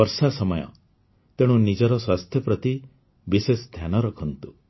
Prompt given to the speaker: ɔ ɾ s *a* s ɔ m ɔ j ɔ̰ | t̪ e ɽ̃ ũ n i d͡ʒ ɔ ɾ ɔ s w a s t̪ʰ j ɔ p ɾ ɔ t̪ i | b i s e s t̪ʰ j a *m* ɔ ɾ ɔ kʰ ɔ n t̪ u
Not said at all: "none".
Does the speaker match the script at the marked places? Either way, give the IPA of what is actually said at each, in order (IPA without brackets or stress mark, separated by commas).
a, n